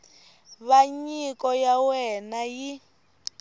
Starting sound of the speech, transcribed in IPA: β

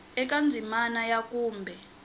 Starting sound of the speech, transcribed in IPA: ɛ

